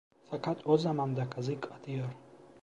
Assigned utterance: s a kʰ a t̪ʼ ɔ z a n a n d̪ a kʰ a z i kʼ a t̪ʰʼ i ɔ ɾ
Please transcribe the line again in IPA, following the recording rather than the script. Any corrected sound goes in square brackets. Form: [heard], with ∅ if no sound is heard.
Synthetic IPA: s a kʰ a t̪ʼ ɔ z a [m] a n d̪ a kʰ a z i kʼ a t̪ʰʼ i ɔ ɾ